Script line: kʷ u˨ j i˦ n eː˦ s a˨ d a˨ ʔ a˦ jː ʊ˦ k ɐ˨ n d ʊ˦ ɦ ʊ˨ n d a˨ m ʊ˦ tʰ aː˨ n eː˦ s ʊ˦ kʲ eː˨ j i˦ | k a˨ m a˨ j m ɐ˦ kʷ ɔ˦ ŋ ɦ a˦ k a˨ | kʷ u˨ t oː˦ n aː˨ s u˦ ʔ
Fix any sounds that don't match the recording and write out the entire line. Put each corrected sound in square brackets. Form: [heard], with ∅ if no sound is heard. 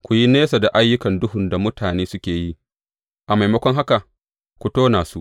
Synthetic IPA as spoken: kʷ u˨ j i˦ n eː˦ s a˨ d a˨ ʔ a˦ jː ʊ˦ k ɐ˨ n d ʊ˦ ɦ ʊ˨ n d a˨ m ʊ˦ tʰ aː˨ n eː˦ s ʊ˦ kʲ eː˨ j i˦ | [ʔ] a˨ m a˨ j m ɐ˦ kʷ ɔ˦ ŋ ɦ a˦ k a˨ | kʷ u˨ t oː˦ n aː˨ s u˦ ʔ